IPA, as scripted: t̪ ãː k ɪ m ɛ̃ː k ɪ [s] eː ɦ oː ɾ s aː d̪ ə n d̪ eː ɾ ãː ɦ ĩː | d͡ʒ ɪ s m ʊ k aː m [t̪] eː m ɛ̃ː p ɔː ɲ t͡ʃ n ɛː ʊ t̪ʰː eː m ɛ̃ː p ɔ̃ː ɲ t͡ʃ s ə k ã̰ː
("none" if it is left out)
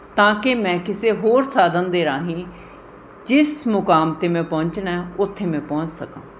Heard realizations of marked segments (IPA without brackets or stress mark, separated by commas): s, t̪